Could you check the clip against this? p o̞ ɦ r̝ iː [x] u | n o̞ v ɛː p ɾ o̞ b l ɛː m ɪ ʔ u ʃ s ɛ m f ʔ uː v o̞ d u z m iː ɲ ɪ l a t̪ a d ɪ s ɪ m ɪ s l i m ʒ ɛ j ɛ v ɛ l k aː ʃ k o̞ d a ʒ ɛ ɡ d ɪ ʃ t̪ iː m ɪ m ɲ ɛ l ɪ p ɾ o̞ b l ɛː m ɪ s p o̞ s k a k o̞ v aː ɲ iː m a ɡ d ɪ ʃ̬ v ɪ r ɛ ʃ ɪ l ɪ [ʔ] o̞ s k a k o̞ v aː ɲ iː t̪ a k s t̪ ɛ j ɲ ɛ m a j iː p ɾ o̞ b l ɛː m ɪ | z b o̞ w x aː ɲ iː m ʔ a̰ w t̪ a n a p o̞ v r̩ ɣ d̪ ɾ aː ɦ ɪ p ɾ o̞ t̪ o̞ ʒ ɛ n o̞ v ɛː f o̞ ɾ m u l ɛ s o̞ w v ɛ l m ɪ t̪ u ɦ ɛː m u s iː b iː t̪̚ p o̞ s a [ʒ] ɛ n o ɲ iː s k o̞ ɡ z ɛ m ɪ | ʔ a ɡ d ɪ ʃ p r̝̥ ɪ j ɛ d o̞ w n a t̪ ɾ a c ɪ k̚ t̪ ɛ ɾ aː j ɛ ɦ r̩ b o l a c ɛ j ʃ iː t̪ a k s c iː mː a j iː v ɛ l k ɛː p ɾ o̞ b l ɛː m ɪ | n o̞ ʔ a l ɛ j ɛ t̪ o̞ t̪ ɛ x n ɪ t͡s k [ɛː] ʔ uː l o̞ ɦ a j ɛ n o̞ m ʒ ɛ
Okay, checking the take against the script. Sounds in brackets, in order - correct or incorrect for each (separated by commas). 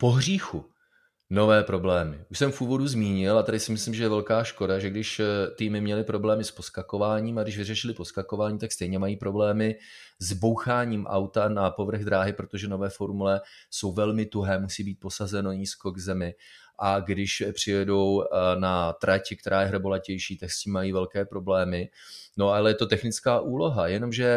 correct, incorrect, incorrect, incorrect